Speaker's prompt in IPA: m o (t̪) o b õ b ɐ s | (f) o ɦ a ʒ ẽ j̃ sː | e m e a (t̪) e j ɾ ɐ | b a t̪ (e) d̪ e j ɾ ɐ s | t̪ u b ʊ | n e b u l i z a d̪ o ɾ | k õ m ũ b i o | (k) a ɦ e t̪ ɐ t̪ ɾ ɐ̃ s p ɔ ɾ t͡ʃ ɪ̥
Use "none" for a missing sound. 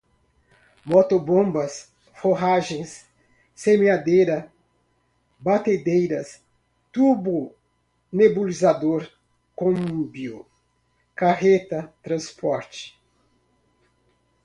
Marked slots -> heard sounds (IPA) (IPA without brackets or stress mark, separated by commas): t̪, f, d̪, e, k